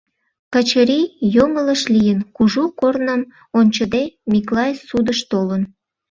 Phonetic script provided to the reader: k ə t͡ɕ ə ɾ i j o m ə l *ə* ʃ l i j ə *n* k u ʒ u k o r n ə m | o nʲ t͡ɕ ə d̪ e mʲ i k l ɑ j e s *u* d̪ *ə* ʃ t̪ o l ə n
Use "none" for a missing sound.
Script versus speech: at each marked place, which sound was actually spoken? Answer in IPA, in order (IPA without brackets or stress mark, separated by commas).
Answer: ə, n, u, ə